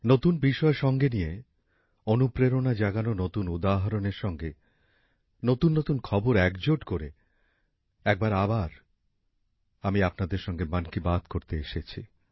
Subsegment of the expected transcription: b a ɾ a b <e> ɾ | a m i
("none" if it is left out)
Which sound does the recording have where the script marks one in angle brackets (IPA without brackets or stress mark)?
a